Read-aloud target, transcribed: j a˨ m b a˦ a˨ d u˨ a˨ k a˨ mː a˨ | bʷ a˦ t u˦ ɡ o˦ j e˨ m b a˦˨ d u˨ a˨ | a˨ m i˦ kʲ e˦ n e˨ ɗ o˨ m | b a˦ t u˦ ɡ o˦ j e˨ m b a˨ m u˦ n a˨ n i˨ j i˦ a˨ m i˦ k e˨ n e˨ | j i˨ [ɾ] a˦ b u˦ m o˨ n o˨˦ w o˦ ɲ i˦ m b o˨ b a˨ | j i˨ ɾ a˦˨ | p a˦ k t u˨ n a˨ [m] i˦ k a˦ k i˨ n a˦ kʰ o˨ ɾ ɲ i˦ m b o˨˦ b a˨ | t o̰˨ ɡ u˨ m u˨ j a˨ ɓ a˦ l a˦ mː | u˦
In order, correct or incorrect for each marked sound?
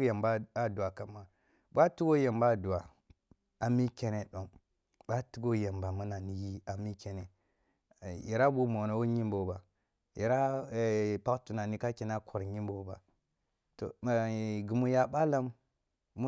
correct, incorrect

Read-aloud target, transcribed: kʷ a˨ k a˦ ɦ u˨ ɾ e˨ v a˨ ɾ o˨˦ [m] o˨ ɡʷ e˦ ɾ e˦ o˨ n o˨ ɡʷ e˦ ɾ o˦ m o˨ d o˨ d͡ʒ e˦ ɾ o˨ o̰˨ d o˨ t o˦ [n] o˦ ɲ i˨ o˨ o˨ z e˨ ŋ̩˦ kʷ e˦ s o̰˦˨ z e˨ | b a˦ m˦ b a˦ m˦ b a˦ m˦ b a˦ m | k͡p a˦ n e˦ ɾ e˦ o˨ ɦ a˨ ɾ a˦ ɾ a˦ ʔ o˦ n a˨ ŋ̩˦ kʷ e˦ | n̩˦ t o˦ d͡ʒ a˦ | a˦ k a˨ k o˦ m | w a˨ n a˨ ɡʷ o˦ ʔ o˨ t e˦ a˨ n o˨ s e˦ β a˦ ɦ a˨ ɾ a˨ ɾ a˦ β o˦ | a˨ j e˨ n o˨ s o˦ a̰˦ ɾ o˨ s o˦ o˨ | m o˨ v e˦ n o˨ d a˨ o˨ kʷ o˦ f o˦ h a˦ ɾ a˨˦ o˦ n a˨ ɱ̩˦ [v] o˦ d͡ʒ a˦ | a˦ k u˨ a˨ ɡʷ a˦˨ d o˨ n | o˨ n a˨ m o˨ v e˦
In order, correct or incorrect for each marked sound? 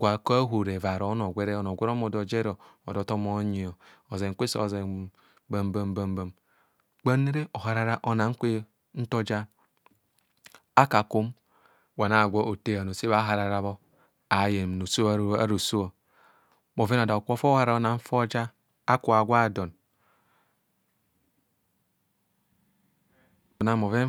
incorrect, incorrect, incorrect

